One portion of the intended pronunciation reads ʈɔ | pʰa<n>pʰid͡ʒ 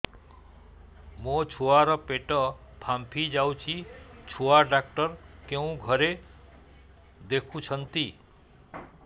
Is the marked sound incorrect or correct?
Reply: incorrect: m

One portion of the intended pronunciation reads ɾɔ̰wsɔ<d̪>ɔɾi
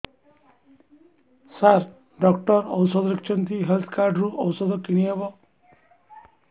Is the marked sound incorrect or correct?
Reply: correct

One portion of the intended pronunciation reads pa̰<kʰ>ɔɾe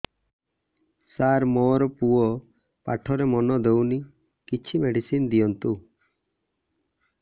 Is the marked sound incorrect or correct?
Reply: incorrect: ʈʰ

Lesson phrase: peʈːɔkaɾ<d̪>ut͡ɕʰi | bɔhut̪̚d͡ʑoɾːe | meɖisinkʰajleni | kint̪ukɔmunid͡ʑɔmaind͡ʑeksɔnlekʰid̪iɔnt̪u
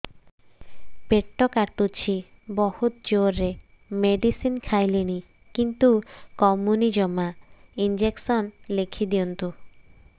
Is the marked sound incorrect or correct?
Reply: incorrect: t̪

